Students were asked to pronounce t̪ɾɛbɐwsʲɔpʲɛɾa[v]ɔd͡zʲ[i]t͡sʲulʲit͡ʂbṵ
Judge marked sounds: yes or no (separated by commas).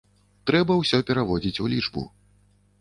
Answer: yes, yes